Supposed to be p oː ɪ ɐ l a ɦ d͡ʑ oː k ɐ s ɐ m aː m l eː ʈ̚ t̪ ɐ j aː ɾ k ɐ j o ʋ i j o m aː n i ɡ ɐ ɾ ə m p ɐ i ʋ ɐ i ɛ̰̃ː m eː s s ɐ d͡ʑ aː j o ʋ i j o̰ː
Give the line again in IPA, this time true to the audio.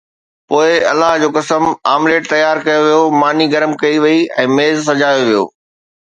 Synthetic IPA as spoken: p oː ɪ ɐ l a ɦ d͡ʑ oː k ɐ s ə m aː m l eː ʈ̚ t̪ ɐ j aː ɾ k ɐ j o ʋ i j o m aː n i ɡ ɐ ɾ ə m k ɐ i ʋ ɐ i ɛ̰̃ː m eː z s ɐ d͡ʑ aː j o ʋ i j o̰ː